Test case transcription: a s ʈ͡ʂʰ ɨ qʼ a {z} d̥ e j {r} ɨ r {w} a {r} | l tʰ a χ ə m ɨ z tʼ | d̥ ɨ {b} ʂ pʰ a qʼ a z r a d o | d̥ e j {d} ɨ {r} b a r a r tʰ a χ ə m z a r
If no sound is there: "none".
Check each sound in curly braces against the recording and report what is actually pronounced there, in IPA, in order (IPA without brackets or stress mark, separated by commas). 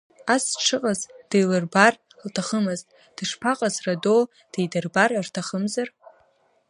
z, l, b, r, none, d, r